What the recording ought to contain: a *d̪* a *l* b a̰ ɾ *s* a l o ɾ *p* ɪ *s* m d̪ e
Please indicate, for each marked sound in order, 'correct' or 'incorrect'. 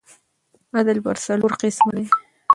correct, correct, correct, incorrect, correct

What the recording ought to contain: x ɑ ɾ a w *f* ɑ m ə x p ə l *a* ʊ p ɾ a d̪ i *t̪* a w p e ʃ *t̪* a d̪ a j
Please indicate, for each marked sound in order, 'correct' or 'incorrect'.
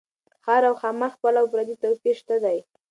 incorrect, correct, correct, correct

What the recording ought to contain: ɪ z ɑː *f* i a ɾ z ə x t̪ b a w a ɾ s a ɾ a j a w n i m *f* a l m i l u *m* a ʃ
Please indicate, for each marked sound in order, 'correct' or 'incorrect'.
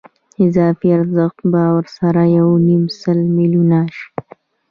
correct, incorrect, incorrect

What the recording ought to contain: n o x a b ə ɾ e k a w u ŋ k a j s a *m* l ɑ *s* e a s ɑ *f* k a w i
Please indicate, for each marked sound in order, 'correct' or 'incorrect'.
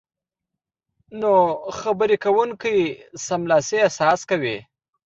correct, correct, incorrect

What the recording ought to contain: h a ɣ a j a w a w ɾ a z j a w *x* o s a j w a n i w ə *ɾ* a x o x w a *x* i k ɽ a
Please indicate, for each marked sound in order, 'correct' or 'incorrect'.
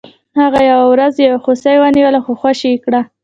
correct, incorrect, incorrect

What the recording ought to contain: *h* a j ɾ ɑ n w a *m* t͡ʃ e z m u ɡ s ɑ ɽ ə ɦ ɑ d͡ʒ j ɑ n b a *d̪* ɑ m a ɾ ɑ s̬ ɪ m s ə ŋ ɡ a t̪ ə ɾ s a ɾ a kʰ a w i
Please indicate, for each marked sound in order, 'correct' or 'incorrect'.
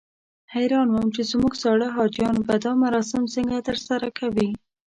correct, correct, correct

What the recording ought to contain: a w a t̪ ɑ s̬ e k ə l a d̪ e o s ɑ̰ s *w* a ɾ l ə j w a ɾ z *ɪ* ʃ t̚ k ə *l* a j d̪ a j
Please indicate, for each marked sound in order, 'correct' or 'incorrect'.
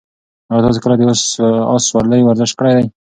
correct, correct, incorrect

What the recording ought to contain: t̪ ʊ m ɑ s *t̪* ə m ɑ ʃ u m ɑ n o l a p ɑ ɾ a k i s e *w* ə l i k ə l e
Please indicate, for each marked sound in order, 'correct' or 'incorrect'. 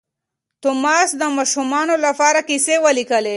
incorrect, correct

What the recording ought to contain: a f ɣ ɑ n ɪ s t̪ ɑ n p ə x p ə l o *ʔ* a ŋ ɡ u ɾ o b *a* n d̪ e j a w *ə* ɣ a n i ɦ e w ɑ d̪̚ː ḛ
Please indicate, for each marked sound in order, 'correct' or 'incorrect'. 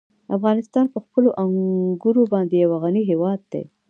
correct, incorrect, incorrect

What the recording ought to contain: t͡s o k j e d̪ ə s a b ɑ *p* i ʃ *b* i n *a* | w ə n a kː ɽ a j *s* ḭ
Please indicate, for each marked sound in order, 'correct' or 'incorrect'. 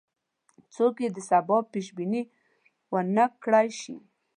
correct, correct, incorrect, incorrect

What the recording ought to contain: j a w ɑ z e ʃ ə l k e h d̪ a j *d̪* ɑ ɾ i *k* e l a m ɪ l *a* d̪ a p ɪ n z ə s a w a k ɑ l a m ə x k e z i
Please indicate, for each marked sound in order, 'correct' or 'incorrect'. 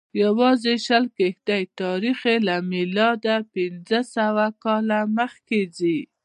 incorrect, incorrect, incorrect

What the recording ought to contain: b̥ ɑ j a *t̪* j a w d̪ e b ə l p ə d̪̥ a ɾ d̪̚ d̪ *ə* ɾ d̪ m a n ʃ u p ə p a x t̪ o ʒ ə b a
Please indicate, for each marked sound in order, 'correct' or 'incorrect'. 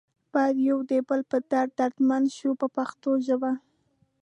incorrect, incorrect

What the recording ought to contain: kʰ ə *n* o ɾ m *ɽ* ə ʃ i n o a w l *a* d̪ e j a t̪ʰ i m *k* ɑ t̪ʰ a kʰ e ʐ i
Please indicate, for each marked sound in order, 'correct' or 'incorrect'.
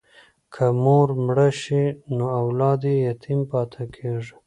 incorrect, correct, incorrect, incorrect

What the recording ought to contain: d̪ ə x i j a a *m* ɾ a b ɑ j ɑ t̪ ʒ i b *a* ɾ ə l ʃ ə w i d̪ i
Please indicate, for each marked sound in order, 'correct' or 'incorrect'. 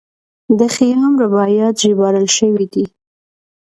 correct, incorrect

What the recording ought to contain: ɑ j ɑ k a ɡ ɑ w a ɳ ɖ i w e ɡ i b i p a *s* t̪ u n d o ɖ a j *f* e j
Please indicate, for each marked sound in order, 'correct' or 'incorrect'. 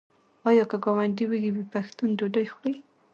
incorrect, incorrect

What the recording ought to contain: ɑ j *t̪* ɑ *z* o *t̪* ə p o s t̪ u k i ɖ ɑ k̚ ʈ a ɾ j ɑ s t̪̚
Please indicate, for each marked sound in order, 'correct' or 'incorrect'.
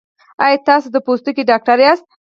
correct, incorrect, incorrect

